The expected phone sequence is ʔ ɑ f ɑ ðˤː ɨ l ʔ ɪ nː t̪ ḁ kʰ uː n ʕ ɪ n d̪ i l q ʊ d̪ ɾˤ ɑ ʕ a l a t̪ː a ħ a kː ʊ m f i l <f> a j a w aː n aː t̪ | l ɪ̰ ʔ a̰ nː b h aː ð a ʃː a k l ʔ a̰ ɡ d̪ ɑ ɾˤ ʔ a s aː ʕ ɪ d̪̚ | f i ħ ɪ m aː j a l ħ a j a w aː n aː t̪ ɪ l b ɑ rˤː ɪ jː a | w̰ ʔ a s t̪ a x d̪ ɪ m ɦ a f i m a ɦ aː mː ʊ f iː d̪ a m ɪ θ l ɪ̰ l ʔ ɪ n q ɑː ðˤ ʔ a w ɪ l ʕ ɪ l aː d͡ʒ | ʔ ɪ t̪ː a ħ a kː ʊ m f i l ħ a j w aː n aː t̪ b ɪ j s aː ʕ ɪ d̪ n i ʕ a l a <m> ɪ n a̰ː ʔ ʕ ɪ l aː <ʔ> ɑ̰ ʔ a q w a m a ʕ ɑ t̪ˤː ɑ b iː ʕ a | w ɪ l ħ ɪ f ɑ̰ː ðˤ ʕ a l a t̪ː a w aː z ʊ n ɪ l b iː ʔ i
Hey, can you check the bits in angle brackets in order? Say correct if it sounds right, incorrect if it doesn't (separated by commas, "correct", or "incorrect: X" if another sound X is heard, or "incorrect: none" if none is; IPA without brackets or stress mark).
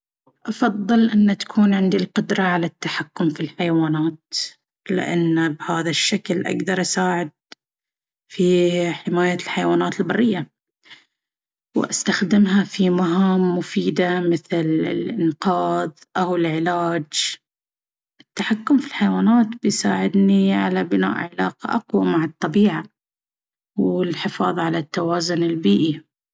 incorrect: ħ, incorrect: b, incorrect: q